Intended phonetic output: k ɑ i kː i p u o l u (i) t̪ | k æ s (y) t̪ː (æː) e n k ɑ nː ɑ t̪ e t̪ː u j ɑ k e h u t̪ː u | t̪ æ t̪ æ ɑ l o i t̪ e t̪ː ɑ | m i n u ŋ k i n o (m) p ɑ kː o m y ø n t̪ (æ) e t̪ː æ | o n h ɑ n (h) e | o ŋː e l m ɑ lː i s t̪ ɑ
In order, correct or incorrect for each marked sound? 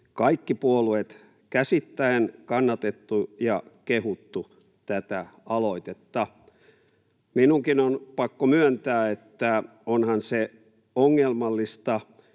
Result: incorrect: e, incorrect: i, incorrect: æ, incorrect: n, incorrect: æː, incorrect: s

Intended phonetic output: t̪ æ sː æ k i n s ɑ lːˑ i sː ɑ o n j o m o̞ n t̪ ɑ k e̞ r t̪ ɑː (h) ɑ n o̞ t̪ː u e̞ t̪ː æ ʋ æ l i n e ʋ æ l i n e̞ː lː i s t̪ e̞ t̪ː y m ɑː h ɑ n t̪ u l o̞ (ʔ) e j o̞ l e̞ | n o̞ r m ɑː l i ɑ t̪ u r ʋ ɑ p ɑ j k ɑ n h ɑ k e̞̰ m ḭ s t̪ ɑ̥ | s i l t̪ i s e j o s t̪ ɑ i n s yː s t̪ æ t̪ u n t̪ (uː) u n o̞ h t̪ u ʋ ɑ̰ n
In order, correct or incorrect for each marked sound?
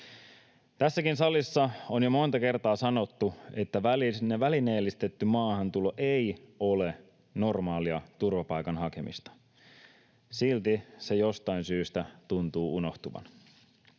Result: incorrect: s, correct, correct

